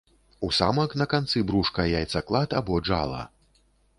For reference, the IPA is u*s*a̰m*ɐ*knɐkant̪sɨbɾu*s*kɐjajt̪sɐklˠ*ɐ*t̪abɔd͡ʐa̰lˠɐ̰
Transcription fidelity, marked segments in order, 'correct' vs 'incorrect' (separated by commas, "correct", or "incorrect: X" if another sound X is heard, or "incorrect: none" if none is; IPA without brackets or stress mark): correct, correct, incorrect: ʂ, incorrect: a